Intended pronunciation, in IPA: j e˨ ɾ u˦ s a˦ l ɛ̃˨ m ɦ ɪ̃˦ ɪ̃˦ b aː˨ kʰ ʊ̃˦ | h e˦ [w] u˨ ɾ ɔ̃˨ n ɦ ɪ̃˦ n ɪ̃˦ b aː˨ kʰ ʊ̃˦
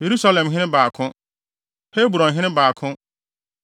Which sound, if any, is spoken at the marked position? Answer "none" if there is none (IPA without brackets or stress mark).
b